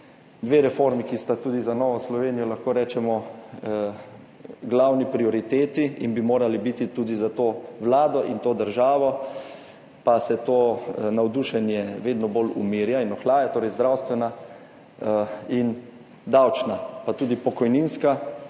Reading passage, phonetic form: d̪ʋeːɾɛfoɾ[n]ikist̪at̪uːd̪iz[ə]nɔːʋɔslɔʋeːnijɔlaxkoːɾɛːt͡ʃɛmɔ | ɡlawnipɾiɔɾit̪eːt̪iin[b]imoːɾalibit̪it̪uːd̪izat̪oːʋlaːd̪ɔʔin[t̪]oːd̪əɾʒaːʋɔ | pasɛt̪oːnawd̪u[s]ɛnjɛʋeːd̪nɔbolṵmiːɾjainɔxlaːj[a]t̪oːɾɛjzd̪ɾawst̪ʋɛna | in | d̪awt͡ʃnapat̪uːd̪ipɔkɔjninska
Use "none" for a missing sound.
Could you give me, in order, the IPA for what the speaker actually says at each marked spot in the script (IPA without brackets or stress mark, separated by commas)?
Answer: m, a, b, t̪, ʃ, a